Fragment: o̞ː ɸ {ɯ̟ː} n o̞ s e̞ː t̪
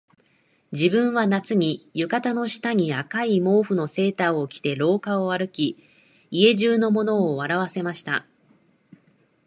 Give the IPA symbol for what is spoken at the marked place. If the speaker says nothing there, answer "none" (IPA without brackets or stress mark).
ɯ̟